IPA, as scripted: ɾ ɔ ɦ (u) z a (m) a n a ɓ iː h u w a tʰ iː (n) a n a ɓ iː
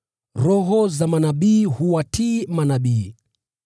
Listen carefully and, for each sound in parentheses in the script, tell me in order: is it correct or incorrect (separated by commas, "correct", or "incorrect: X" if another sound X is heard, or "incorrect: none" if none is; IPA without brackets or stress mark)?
incorrect: ɔ, correct, incorrect: m